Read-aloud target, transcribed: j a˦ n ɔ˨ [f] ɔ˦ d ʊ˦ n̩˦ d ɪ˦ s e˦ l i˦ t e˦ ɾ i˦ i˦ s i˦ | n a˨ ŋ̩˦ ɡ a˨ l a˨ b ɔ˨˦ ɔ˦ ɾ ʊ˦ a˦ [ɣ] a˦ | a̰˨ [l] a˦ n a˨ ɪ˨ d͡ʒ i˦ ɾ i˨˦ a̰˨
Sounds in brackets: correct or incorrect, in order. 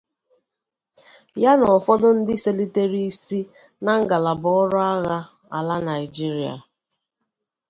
correct, correct, correct

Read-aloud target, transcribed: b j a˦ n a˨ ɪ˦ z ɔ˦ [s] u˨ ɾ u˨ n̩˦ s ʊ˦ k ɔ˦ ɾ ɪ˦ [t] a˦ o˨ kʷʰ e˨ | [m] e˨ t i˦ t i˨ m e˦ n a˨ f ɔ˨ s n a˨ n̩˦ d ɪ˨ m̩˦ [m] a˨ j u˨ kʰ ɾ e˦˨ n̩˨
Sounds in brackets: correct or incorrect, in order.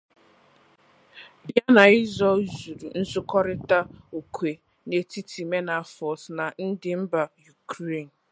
incorrect, correct, incorrect, incorrect

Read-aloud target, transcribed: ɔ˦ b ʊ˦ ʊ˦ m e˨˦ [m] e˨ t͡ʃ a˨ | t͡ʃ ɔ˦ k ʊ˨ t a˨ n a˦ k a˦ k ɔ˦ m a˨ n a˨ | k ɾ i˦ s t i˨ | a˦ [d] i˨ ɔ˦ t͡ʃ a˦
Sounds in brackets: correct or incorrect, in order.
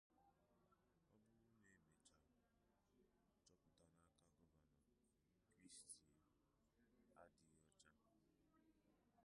correct, correct

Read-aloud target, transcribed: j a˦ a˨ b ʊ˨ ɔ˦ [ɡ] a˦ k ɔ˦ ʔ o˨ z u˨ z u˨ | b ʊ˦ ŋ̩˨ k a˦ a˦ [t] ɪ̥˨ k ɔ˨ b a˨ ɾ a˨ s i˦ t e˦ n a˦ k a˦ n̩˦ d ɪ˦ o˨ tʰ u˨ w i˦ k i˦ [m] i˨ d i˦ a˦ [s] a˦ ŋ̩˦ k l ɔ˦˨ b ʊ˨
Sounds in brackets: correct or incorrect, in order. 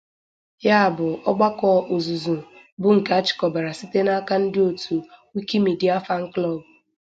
incorrect, incorrect, correct, incorrect

